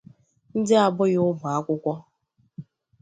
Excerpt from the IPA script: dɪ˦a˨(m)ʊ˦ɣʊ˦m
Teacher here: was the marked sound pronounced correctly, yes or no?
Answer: no